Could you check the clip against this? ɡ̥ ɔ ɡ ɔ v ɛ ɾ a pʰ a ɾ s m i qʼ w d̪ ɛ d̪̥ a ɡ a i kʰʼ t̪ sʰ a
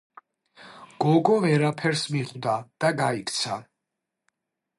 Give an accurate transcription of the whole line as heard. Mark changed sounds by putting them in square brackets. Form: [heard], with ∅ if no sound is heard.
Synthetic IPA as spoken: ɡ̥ ɔ ɡ ɔ v ɛ ɾ a pʰ [ɛ] ɾ s m i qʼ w d̪ [a] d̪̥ a ɡ a i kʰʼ t̪ sʰ a